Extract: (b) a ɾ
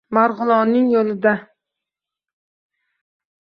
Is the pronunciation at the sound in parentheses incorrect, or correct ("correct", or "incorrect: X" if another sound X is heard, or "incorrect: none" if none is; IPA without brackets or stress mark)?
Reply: incorrect: m